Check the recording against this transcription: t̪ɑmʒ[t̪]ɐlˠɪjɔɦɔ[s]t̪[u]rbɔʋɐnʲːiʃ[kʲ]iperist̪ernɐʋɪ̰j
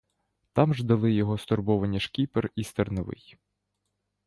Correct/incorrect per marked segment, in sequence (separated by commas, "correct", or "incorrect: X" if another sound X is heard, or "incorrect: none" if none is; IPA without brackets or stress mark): incorrect: d̪, correct, incorrect: ɔ, correct